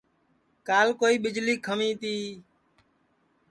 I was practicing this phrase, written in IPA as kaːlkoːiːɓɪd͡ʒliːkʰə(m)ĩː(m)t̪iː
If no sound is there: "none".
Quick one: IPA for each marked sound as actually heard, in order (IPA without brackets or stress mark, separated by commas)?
m, none